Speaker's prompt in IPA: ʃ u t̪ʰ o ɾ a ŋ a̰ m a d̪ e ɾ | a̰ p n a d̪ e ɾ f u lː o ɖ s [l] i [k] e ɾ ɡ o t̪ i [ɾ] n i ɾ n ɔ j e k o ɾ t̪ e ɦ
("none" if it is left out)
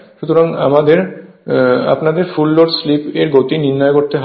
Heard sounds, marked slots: l, p, none

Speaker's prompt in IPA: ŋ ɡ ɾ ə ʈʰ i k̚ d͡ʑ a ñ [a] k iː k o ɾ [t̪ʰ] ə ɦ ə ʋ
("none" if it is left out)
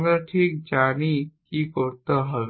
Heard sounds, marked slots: i, t̪

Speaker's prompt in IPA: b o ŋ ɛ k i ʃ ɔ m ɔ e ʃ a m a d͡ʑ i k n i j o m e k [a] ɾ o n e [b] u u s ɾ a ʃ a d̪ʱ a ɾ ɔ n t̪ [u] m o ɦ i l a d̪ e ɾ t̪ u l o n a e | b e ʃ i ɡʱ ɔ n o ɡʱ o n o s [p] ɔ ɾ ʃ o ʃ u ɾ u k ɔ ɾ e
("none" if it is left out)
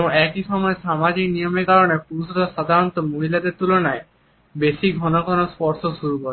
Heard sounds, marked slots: a, p, o, p

